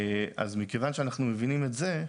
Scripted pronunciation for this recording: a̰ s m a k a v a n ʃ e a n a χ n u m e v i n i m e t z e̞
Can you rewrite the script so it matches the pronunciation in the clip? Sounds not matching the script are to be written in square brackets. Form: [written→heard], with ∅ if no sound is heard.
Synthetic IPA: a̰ [s→z] m [a→i] k [a→e] v a n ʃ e a n a χ n u m e v i n i m e t z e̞